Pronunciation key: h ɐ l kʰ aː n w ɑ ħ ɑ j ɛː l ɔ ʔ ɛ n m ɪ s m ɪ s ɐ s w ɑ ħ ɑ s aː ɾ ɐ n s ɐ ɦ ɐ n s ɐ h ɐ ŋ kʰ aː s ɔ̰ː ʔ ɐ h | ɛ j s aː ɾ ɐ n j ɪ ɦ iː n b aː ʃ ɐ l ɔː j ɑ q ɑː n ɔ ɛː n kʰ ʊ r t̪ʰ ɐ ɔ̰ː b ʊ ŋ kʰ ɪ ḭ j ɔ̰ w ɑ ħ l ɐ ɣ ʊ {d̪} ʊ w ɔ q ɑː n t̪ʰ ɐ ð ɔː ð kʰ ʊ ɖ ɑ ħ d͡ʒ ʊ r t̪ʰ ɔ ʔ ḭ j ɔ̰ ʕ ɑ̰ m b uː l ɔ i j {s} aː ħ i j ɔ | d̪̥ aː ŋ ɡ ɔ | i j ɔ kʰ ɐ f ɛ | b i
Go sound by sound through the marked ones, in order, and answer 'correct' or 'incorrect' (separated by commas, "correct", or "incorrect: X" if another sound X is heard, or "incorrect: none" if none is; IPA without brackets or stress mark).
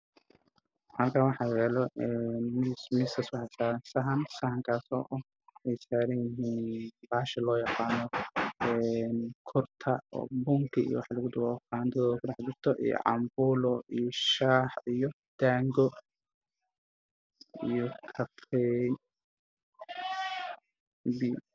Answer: correct, incorrect: ʃ